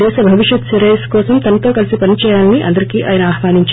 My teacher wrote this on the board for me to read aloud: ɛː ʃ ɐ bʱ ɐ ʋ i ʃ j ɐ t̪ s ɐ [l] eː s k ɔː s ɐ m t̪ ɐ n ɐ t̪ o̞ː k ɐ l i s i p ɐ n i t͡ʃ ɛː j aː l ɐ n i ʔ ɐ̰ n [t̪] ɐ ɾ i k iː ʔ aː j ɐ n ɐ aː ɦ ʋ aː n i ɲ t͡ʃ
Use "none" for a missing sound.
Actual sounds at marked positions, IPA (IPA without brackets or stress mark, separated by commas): ɾ, d̪